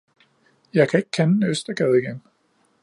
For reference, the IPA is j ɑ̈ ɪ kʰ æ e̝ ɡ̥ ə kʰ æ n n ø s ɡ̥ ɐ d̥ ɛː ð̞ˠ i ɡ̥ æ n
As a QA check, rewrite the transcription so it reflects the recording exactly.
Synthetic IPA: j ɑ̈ ɪ kʰ æ e̝ ɡ̥ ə kʰ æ n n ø s d̥ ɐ ɡ̥ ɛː ð̞ˠ i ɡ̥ e n